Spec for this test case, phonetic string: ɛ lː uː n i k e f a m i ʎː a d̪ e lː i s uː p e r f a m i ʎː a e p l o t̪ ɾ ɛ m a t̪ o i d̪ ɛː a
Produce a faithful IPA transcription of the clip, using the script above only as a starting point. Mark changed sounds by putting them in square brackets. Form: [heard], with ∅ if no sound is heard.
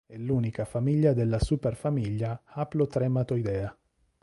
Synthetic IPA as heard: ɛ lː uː n i k [a] f a m i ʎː a d̪ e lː [a] s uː p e r f a m i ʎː a [a] p l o t̪ ɾ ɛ m a t̪ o i d̪ ɛː a

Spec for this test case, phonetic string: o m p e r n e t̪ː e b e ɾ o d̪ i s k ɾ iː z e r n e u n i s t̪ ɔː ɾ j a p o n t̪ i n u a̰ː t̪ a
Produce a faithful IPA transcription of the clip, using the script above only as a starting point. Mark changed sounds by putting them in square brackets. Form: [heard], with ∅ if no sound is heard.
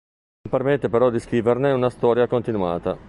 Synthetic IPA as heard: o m p e r [m] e t̪ː e [p] e ɾ [ɔ] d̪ i s k ɾ iː [v] e r n e u n [a] s t̪ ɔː ɾ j a [k] o n t̪ i n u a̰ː t̪ a

